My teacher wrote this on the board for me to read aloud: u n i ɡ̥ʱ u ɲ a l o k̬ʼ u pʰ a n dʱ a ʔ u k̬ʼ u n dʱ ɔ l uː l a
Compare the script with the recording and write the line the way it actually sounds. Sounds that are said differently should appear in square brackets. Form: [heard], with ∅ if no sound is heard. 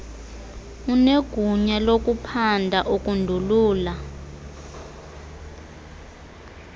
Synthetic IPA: u n [e] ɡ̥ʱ u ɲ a l o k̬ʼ u pʰ a n dʱ a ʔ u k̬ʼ u n dʱ [u] l uː l a